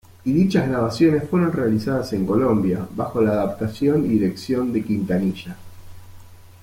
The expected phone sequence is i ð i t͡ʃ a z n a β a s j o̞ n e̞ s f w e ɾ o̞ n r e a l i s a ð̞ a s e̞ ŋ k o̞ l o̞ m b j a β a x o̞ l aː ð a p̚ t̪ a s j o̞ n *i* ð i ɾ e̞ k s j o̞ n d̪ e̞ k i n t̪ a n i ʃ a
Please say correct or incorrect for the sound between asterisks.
correct